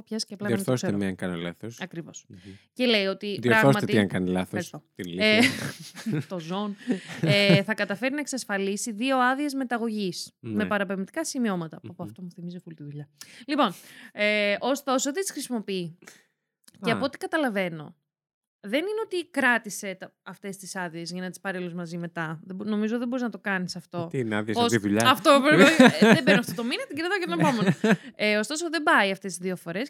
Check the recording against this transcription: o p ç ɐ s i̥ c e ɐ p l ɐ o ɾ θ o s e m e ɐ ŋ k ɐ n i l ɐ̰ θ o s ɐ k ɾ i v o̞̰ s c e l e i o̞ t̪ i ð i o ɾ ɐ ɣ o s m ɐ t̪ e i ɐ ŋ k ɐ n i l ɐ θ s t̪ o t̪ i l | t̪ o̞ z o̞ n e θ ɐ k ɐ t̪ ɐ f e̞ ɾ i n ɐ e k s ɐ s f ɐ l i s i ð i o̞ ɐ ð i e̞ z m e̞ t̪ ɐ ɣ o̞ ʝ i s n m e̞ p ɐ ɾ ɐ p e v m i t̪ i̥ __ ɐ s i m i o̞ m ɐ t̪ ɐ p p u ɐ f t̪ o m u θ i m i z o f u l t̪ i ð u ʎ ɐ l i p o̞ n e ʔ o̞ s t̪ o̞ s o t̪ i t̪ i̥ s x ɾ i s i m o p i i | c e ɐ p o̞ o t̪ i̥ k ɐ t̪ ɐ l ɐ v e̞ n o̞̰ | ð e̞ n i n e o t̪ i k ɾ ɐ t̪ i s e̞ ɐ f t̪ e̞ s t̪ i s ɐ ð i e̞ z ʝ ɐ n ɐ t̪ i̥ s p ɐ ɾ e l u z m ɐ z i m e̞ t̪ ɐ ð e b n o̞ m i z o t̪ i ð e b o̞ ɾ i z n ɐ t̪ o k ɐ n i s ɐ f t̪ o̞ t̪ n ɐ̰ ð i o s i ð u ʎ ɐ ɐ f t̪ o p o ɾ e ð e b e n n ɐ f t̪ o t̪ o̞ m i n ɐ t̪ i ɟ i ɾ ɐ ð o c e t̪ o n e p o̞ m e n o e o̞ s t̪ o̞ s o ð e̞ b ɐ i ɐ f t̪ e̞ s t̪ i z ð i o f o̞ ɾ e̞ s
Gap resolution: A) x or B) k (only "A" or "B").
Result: B